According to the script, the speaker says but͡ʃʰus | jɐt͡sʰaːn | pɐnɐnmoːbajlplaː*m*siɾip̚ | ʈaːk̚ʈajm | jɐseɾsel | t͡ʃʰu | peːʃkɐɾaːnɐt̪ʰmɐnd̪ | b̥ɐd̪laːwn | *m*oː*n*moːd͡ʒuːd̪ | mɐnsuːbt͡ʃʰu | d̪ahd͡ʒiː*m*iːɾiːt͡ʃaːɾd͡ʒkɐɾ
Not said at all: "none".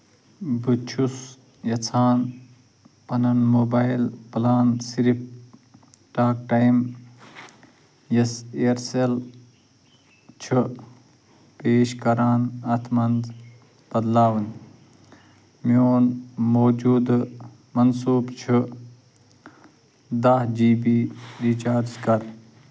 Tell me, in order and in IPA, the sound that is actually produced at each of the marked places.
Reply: n, m, n, b

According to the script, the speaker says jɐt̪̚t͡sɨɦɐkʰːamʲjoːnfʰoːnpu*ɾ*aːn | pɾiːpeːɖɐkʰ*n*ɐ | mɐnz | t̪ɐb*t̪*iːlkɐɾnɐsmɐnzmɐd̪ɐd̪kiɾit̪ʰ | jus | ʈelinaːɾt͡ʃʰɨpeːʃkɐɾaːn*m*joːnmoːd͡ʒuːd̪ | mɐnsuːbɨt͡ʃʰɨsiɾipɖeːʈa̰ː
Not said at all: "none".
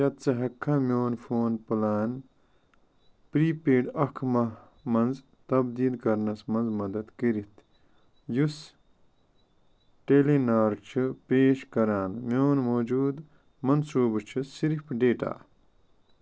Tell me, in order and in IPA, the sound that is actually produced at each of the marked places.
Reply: l, m, d̪, m

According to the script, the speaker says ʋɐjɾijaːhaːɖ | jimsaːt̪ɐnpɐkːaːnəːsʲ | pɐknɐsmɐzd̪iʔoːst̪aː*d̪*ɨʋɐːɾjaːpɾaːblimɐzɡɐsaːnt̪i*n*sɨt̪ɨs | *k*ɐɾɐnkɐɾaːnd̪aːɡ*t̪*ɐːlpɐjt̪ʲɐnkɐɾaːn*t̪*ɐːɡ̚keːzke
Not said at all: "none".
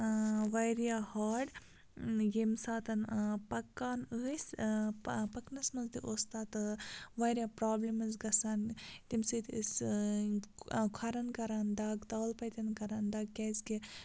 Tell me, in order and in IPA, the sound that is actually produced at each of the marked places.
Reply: t̪, m, kʰ, t̪, d̪

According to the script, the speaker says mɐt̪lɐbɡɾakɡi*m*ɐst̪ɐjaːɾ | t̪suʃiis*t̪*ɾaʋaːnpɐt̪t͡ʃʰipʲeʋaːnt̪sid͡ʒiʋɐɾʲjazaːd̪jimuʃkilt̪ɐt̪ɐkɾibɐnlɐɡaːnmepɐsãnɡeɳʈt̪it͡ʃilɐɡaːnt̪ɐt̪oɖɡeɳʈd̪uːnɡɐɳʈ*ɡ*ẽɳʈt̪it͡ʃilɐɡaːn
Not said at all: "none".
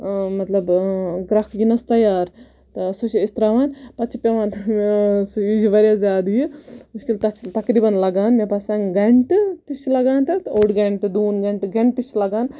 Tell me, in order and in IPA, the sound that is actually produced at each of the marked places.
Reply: n, t̪, ɡ

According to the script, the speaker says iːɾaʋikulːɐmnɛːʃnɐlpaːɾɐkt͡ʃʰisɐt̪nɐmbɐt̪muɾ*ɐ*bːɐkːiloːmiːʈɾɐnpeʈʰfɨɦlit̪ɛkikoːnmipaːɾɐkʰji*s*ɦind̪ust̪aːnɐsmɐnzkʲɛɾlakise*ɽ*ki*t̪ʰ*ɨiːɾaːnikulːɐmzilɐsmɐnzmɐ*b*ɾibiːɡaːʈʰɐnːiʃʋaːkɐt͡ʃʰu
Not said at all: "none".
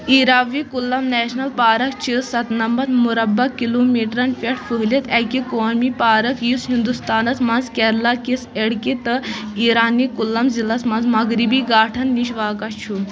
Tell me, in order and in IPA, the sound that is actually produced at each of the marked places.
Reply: ɐ, s, ɽ, t̪, ɡ

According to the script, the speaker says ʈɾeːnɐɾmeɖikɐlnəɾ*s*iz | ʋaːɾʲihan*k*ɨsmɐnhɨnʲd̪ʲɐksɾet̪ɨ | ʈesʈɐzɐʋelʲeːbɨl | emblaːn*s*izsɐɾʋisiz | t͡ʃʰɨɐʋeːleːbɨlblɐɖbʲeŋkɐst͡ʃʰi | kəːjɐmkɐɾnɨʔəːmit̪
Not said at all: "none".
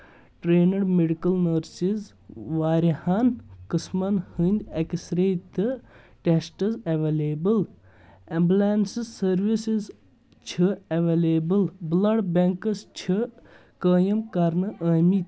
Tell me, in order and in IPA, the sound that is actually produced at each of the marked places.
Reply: s, k, s

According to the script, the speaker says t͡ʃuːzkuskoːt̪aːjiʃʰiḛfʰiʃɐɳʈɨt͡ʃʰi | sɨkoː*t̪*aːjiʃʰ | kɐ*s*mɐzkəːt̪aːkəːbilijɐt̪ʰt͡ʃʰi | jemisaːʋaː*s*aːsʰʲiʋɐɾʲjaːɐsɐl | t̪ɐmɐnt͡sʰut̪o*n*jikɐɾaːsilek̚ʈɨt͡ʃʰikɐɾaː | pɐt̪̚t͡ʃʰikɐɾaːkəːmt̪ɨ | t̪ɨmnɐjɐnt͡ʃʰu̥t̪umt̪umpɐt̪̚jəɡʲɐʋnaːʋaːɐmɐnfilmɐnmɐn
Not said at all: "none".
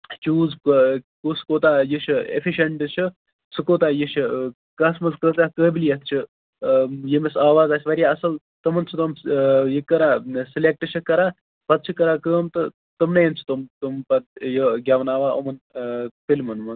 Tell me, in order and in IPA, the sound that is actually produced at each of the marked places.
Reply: t̪, s, z, m

